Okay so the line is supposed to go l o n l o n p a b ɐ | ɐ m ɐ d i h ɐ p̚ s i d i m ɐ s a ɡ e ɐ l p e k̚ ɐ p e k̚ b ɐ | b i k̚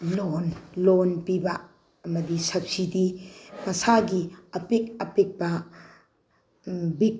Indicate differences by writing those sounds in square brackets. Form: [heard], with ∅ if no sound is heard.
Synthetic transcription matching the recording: l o n l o n p [i] b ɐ | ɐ m ɐ d i [s] ɐ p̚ s i d i m ɐ s a ɡ [i] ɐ [∅] p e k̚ ɐ p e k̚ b ɐ | b i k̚